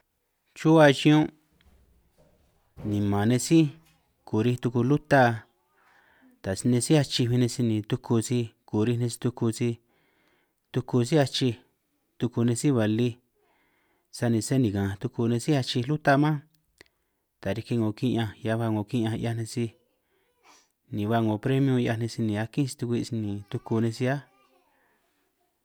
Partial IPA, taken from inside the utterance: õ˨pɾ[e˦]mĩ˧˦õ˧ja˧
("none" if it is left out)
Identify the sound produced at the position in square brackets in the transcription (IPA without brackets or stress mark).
e˦